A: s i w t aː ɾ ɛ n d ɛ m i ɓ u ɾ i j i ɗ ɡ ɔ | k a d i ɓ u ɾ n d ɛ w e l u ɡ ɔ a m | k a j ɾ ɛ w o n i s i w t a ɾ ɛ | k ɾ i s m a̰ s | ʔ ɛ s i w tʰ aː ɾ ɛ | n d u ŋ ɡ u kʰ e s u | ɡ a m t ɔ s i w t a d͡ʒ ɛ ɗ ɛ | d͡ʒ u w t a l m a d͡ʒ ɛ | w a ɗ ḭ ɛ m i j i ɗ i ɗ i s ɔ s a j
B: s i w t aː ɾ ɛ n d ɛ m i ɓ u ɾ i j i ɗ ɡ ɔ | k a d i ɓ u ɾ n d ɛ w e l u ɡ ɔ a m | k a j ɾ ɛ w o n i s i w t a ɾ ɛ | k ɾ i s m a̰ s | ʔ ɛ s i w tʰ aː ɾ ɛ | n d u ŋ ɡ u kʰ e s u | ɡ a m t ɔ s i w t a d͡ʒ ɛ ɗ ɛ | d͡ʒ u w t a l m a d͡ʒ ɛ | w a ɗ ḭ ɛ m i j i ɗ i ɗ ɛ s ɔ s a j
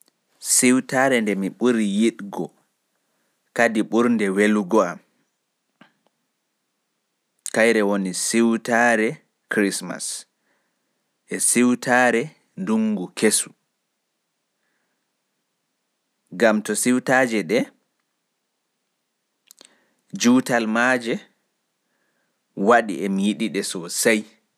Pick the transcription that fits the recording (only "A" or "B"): B